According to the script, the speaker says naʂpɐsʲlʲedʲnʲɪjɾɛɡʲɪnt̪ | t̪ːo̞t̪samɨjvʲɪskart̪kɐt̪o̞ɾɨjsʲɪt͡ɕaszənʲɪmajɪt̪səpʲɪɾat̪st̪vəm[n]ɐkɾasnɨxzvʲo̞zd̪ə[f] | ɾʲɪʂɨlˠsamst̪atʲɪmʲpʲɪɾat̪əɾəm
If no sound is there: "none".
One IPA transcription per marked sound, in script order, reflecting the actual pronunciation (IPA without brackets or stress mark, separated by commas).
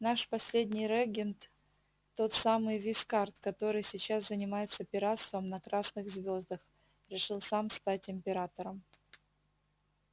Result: n, x